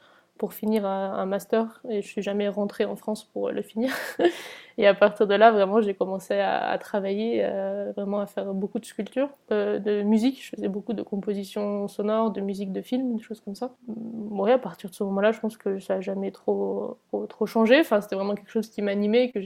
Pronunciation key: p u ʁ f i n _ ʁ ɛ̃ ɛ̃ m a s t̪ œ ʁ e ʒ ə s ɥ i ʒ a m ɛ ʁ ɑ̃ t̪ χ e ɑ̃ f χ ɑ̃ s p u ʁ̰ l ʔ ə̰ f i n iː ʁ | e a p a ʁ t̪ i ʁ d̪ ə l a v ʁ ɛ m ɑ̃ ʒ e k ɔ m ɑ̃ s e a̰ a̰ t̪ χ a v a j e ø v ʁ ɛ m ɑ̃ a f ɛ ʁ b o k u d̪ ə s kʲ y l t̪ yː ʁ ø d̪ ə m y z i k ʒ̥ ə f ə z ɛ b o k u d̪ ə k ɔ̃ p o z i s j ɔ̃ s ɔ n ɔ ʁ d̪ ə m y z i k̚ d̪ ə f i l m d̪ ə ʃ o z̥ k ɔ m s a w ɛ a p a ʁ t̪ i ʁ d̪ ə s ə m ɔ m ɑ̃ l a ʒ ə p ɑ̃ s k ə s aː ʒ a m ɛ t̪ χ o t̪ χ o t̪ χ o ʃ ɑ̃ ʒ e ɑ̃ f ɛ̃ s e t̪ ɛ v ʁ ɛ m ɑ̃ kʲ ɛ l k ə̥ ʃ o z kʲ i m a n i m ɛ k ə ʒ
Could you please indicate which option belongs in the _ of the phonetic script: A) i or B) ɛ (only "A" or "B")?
A